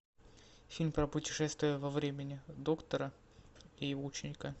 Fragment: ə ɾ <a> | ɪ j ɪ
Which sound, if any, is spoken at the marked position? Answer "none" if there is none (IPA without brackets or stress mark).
ə